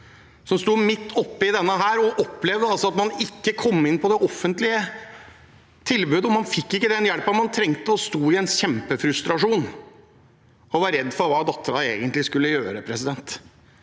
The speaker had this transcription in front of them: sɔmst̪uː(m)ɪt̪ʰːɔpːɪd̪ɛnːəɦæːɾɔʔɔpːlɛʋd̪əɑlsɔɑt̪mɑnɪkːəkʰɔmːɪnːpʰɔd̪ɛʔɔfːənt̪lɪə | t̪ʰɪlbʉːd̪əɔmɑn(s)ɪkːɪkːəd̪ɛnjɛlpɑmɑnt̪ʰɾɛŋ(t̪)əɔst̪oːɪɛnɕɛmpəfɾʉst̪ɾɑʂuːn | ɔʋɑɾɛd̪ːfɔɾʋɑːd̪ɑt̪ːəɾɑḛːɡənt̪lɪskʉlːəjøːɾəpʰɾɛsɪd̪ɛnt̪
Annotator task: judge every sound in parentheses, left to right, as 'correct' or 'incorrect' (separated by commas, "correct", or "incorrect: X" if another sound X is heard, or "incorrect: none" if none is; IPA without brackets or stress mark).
correct, incorrect: f, correct